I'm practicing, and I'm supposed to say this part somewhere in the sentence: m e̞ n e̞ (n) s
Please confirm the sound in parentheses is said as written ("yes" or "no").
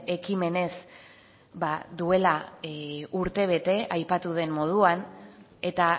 no